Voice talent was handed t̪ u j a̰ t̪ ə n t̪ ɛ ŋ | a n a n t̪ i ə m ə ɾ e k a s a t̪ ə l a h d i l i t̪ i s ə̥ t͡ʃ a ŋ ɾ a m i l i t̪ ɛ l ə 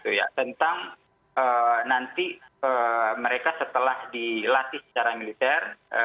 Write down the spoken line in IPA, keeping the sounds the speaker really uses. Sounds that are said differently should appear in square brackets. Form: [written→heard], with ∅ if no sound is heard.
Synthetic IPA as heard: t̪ u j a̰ t̪ ə n t̪ [ɛ→a] ŋ | [a→ə] n a n t̪ i ə m ə ɾ e k a s [a→ə] t̪ ə l a h d i l [i→a] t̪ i s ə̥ t͡ʃ a [ŋ→∅] ɾ a m i l i t̪ ɛ [l→r] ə